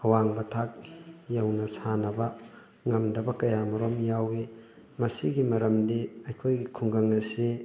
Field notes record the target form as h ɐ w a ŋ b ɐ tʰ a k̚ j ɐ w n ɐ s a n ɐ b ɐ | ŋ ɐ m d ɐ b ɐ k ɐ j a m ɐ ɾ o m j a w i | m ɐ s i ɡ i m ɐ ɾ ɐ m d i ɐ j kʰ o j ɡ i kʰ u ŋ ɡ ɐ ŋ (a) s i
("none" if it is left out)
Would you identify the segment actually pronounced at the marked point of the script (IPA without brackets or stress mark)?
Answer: ɐ